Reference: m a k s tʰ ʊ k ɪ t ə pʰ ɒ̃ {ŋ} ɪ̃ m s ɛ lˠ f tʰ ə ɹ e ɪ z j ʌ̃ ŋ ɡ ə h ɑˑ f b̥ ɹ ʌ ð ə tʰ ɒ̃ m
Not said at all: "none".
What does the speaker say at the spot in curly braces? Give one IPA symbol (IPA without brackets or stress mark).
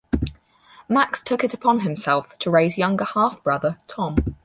n